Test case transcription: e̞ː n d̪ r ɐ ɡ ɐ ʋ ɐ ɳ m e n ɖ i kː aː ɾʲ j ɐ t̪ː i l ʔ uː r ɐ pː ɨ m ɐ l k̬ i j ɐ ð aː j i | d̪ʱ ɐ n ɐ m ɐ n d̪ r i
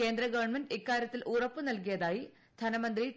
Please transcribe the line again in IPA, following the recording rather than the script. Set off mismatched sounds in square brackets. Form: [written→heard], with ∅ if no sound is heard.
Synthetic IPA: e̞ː n d̪ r ɐ ɡ ɐ ʋ ɐ ɳ m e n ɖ i kː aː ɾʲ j ɐ t̪ː i l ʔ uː r ɐ pː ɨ [m→n] ɐ l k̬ i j ɐ ð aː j i | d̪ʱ ɐ n ɐ m ɐ n d̪ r i

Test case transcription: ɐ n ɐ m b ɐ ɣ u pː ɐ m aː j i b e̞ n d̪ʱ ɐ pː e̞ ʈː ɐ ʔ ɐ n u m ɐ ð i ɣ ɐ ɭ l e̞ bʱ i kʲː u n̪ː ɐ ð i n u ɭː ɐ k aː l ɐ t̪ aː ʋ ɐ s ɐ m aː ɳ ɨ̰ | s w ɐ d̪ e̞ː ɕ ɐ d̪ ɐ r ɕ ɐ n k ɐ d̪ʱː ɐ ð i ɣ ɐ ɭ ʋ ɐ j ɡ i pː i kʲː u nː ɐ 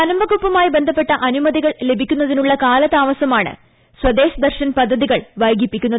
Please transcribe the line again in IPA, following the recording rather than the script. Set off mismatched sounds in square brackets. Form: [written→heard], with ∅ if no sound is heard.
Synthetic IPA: ɐ n ɐ m b ɐ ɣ u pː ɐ m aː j i b e̞ n d̪ʱ ɐ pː e̞ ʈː ɐ ʔ ɐ n u m ɐ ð i ɣ ɐ ɭ l e̞ bʱ i kʲː u n̪ː ɐ ð i n u ɭː ɐ k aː l ɐ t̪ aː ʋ ɐ s ɐ m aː ɳ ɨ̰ | s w ɐ d̪ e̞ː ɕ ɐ d̪ ɐ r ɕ ɐ n [k→p] ɐ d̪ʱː ɐ ð i ɣ ɐ ɭ ʋ ɐ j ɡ i pː i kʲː u nː ɐ

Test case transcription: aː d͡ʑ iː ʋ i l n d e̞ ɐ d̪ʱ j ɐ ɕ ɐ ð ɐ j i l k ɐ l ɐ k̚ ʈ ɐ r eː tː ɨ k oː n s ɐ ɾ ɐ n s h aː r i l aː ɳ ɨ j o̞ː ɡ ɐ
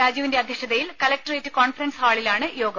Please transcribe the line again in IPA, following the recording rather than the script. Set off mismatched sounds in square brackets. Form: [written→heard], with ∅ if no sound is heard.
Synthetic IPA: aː d͡ʑ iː ʋ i [l→∅] n d e̞ ɐ d̪ʱ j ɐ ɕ ɐ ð ɐ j i l k ɐ l ɐ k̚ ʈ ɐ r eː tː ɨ k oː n [s→f] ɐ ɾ ɐ n s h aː [r→ɭ] i l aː ɳ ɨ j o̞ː ɡ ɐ

